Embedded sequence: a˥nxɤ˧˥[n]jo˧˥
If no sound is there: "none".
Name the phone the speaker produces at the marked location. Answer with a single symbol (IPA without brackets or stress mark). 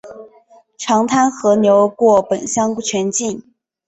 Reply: n